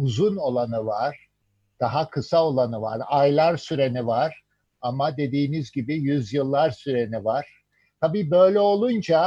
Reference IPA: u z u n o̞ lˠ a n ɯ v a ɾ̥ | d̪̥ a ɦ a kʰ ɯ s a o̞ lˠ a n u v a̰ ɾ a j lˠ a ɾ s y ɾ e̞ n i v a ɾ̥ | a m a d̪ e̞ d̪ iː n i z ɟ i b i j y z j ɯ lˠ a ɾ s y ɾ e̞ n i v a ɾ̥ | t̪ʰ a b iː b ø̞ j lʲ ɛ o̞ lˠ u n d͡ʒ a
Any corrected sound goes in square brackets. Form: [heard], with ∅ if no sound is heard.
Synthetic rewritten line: u z u n o̞ lˠ a n ɯ v a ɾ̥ | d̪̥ a ɦ a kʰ ɯ s a o̞ lˠ a n [ɯ] v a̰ ɾ a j lˠ a ɾ s y ɾ e̞ n i v a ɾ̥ | a m a d̪ e̞ d̪ iː n i z ɟ i b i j y z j ɯ [lˠː] a ɾ s y ɾ e̞ n i v a ɾ̥ | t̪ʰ a b iː b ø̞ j lʲ ɛ o̞ lˠ u n d͡ʒ a